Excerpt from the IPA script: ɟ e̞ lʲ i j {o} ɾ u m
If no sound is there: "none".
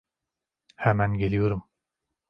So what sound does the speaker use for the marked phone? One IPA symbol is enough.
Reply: o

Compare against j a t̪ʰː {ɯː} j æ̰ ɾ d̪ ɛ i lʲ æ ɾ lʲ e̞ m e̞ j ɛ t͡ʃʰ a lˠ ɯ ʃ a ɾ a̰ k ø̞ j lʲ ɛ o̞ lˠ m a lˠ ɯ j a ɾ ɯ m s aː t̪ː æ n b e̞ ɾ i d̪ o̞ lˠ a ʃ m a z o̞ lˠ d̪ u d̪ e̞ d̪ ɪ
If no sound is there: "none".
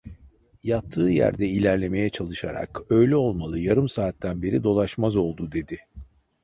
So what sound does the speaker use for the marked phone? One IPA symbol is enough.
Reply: ɯː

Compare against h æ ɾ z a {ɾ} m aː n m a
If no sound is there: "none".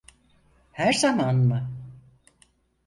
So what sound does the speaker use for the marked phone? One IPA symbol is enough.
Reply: none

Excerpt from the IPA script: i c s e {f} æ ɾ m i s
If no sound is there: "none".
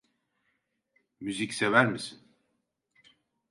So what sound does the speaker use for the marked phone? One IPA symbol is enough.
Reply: v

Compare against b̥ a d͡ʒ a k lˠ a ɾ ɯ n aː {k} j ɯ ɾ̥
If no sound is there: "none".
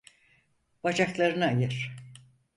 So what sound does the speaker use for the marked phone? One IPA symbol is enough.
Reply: none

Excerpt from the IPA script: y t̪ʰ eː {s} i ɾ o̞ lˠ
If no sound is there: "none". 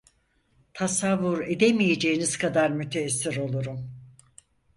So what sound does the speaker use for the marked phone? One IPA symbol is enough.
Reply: sː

